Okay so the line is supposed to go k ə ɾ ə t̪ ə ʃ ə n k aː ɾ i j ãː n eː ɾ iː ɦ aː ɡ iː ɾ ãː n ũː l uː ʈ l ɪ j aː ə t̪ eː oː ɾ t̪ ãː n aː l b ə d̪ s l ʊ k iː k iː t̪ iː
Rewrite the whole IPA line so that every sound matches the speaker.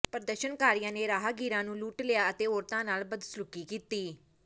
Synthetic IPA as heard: p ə ɾ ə d̪ ə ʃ ə n k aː ɾ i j ãː n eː ɾ aː ɦ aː ɡ iː ɾ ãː n ũː l uː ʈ l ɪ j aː ə t̪ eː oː ɾ t̪ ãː n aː l b ə d̪ s l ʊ k iː k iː t̪ iː